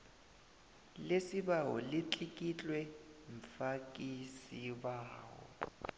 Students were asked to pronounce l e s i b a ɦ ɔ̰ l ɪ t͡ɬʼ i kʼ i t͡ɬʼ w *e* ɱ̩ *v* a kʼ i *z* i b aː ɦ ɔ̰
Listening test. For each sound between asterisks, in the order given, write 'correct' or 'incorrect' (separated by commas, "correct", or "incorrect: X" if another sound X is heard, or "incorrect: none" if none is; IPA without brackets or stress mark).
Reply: incorrect: ɛ, incorrect: f, incorrect: s